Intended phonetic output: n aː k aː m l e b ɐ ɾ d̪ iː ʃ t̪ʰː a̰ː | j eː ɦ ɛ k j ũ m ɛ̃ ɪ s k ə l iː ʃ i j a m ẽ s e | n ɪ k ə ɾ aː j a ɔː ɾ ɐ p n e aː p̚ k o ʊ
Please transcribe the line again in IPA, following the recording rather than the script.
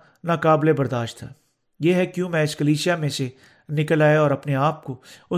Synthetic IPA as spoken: n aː k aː b l e b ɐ ɾ d̪ aː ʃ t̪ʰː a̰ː | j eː ɦ ɛ k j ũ m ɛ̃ ɪ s k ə l iː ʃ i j a m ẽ s e | n ɪ k ə l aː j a ɔː ɾ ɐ p n e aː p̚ k o ʊ